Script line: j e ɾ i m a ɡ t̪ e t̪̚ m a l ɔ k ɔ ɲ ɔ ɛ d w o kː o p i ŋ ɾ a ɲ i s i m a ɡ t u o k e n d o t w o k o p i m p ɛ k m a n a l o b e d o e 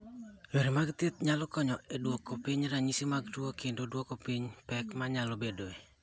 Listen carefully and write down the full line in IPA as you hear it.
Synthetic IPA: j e ɾ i m a ɡ t̪ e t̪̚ ɲ a l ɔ k ɔ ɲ ɔ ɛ d w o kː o p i ɲ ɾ a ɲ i s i m a ɡ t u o k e n d o d w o k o p i ɲ p ɛ k m a ɲ a l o b e d o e